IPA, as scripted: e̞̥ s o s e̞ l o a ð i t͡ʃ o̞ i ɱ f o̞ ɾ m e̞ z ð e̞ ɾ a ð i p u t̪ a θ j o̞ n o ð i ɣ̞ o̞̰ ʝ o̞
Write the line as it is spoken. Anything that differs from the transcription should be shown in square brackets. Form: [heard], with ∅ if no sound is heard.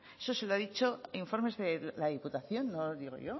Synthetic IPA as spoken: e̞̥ s o s e̞ l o a ð i t͡ʃ o̞ i ɱ f o̞ ɾ m e̞ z ð e̞ [l] a ð i p u t̪ a θ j o̞ [nː] o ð i ɣ̞ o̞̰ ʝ o̞

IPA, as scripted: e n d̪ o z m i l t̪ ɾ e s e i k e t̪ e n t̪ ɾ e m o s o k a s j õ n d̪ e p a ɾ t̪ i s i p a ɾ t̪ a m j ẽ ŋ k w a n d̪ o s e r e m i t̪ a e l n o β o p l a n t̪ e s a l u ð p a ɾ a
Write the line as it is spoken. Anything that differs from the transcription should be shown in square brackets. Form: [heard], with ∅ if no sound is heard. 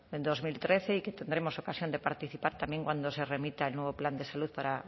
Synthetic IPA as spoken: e n d̪ o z m i l t̪ ɾ e [θ] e i k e t̪ e n [d̪] ɾ e m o s o k a s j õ n d̪ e p a ɾ t̪ i [θ] i p a ɾ t̪ a m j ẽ ŋ k w a n d̪ o s e r e m i t̪ a e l n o β o p l a n [d̪] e s a l u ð p a ɾ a

